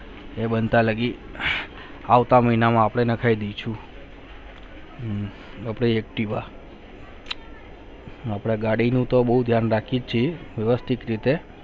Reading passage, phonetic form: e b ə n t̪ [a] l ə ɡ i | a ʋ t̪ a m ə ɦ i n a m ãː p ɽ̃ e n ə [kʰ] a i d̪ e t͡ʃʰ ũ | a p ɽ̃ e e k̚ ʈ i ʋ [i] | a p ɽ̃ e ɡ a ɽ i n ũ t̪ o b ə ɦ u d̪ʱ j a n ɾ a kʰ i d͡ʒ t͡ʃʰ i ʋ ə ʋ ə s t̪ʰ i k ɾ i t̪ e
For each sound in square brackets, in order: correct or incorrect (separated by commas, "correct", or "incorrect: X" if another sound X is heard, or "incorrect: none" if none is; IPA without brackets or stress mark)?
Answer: correct, correct, incorrect: a